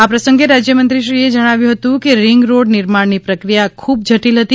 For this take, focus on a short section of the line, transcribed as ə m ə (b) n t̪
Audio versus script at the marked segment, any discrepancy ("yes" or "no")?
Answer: yes